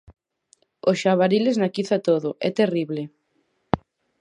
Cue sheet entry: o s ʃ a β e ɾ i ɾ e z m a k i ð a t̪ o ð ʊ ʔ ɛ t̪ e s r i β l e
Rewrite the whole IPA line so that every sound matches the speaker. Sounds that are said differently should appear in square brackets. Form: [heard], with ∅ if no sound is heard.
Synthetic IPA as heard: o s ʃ a β [a] ɾ i [l] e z [n] a k i [θ] a t̪ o ð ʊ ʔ ɛ t̪ e [∅] r i β l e